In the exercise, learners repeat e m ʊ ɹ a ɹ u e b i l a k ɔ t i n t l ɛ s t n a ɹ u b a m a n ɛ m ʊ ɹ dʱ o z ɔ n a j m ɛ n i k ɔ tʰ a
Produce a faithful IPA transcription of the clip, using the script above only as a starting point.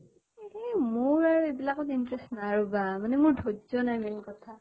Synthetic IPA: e m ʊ ɹ a ɹ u e b i l a k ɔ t i n t ɹ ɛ s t n a ɹ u b a m a n ɛ m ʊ ɹ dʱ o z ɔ n a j m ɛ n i k ɔ tʰ a